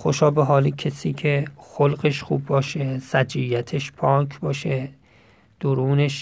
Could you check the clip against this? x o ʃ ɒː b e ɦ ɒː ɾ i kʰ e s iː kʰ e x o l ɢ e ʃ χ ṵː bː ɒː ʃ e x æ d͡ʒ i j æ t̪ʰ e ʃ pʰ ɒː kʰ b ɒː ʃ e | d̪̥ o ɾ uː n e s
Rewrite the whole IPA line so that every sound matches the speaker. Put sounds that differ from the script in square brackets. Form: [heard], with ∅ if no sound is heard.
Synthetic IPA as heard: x o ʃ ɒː b e ɦ ɒː [l] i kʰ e s iː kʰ e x o l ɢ e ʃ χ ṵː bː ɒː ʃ e [s] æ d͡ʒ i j æ t̪ʰ e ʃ pʰ ɒː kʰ b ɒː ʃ e | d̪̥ o ɾ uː n e [ʃ]